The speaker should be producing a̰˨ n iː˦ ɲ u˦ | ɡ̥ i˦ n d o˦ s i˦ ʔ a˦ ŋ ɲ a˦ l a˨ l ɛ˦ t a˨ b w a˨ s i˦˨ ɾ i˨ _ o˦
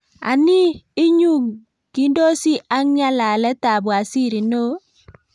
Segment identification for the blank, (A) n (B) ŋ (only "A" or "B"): A